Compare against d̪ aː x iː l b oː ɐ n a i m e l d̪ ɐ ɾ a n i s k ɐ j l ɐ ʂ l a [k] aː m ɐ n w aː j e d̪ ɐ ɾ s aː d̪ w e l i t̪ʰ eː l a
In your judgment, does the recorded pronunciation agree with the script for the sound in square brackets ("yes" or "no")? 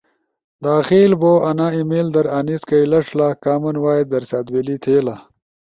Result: yes